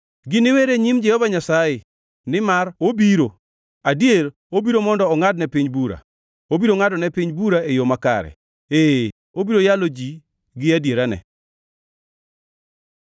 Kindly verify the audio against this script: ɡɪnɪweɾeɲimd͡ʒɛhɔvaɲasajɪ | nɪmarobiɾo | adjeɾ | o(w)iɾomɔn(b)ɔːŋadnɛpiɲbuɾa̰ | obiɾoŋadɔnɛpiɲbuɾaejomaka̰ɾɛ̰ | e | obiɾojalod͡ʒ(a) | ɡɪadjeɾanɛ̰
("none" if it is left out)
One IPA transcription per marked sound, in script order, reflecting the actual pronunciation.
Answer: b, d, i

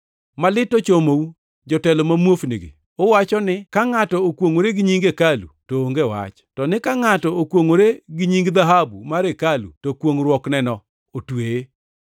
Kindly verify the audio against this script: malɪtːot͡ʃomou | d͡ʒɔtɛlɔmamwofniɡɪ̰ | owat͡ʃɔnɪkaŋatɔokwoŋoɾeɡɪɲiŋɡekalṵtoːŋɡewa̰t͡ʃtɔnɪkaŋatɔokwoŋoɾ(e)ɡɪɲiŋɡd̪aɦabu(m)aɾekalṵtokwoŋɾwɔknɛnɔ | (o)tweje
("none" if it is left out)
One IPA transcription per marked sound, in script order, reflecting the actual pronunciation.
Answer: e, m, o

